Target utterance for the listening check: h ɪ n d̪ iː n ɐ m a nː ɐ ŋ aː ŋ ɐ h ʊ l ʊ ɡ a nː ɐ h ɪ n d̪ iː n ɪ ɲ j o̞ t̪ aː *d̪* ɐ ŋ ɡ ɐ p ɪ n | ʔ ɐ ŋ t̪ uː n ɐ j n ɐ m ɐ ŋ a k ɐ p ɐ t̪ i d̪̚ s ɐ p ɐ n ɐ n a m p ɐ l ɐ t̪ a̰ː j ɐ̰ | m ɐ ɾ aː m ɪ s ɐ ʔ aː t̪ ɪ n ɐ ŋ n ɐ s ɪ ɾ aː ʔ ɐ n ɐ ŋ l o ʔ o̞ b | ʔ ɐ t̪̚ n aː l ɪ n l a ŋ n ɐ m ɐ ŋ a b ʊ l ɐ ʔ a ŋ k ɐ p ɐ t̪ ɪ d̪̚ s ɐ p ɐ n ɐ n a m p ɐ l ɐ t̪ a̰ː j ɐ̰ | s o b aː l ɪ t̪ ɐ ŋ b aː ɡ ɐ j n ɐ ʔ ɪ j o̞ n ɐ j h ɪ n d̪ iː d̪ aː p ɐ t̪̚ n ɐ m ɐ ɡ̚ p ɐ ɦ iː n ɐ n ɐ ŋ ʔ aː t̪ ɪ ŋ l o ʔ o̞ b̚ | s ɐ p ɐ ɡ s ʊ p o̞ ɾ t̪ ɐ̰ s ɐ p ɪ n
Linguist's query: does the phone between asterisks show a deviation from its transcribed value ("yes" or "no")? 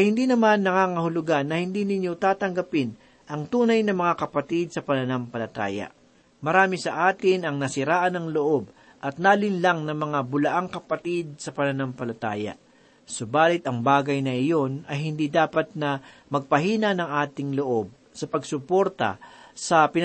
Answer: yes